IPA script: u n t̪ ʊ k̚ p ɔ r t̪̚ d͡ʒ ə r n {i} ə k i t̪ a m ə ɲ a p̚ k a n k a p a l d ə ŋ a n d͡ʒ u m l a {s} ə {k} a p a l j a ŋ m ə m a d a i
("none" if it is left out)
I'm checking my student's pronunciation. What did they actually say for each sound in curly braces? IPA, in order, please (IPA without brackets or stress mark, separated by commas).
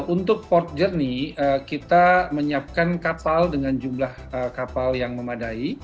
i, h, k